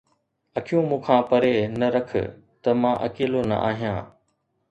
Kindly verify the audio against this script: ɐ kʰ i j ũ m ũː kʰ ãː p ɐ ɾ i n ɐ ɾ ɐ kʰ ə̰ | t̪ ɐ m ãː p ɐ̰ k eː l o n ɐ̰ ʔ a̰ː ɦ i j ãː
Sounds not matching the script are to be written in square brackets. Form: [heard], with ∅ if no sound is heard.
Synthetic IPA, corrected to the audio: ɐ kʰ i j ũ m ũː kʰ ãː p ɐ ɾ [e] n ɐ ɾ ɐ kʰ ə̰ | t̪ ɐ m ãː [ʔ] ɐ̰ k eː l o n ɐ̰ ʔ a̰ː ɦ i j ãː